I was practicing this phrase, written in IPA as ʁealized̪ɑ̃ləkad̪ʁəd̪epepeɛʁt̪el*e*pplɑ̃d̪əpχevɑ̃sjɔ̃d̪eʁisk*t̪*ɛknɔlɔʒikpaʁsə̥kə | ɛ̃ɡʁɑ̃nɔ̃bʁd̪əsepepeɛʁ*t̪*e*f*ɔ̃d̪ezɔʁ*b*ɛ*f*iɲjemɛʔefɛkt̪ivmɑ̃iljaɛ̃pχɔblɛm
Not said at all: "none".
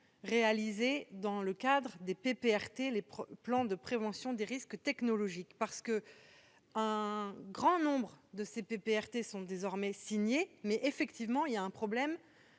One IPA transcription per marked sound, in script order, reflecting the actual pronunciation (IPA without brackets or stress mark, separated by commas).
e, t̪, t̪, s, m, s